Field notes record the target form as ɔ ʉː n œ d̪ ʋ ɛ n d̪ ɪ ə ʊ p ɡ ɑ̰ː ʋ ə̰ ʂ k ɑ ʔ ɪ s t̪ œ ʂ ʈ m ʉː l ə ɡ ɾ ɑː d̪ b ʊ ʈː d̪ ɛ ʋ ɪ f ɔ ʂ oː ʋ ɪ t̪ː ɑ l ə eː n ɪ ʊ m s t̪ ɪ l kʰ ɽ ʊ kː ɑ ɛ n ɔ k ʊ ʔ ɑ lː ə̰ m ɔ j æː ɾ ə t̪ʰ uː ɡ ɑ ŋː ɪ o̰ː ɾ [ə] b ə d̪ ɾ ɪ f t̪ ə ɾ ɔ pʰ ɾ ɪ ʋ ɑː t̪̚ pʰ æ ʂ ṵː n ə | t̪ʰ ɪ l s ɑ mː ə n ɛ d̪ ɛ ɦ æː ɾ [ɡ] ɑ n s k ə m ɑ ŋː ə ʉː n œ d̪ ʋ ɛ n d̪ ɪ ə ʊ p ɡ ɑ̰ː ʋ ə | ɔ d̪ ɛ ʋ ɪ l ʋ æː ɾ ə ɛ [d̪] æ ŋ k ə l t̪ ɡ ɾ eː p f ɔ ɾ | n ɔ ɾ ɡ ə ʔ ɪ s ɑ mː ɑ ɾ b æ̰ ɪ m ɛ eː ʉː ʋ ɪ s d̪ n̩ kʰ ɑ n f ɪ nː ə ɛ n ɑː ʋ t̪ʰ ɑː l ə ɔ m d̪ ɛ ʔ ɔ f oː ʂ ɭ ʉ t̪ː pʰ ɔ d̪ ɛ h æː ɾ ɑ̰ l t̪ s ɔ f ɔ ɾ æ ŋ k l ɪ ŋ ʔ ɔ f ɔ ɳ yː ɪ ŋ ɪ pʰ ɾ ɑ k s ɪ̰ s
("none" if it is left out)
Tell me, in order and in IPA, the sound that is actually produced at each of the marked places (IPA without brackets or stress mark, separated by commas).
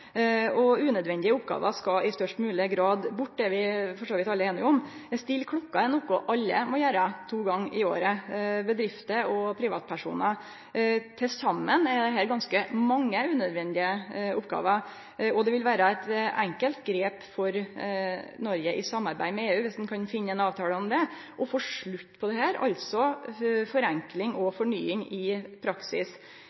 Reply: ə, ɡ, t̪